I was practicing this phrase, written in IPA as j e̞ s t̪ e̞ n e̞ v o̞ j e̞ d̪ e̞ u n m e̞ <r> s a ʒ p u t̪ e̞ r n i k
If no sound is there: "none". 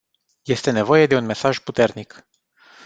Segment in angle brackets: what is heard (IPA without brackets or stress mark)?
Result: none